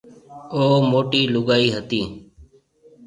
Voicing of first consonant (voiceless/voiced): voiced